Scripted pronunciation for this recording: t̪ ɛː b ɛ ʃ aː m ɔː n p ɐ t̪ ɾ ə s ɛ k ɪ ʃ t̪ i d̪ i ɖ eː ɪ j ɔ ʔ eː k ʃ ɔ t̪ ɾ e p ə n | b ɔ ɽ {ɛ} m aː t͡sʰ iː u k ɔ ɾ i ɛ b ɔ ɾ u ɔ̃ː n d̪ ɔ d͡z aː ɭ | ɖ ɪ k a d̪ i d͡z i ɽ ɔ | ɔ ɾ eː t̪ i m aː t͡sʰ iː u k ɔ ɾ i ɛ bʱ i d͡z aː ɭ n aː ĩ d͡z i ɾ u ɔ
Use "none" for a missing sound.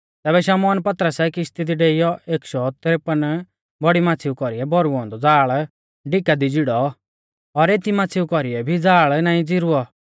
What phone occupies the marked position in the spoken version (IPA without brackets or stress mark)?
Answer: i